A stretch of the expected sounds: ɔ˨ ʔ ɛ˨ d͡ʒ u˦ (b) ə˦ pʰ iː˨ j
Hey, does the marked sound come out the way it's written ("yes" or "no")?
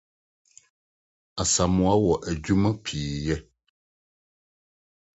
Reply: no